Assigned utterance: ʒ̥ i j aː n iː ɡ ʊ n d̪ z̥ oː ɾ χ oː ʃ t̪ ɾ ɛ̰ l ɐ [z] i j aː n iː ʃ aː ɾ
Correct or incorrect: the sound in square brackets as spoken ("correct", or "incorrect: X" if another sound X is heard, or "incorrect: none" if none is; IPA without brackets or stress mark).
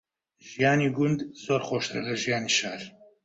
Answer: incorrect: ʒ